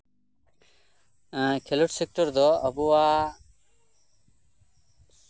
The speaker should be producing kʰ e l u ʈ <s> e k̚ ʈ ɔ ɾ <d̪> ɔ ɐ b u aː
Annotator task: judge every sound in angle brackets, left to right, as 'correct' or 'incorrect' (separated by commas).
correct, correct